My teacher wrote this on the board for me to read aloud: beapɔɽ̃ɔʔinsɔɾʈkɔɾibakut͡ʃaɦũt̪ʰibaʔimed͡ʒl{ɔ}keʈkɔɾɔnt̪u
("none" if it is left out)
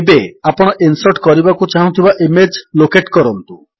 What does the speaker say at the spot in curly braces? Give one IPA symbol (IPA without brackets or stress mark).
o